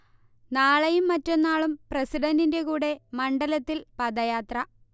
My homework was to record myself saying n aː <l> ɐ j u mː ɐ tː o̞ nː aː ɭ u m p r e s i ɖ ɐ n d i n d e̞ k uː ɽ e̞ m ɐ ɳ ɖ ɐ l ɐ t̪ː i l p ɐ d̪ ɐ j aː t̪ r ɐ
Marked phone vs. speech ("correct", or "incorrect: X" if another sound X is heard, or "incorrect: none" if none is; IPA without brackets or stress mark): incorrect: ɭ